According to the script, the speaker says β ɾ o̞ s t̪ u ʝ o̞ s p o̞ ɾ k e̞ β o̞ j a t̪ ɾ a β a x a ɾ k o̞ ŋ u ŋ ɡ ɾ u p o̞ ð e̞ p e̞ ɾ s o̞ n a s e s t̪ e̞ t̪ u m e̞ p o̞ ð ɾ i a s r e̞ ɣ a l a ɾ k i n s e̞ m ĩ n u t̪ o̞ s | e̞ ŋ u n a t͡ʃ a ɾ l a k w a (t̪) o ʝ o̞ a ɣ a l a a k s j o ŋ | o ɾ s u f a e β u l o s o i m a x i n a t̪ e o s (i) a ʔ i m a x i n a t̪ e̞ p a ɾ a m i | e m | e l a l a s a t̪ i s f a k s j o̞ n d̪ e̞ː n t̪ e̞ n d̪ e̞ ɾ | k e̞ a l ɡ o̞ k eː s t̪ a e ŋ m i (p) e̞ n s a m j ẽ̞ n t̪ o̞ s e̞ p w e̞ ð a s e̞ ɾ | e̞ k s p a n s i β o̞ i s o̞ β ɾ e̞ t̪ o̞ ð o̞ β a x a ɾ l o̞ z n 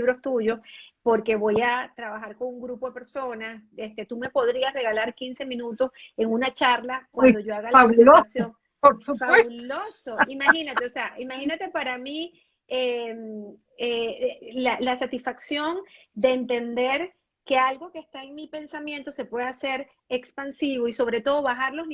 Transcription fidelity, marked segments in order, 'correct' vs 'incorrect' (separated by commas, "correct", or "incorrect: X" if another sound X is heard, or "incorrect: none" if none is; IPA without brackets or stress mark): incorrect: d̪, incorrect: e, correct